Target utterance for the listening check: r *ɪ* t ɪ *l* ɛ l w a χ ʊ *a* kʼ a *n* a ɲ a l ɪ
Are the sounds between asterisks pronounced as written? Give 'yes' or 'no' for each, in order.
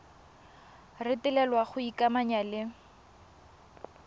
yes, yes, no, no

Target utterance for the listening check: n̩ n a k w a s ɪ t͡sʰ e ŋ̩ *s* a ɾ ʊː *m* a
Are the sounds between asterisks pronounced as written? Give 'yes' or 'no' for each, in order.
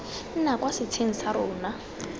yes, no

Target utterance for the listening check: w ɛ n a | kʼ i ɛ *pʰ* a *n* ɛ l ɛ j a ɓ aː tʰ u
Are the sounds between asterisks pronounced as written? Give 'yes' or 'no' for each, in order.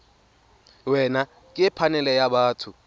yes, yes

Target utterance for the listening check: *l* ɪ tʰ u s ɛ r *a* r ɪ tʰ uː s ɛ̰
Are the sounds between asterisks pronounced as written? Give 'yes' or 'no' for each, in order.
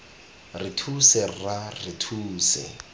no, yes

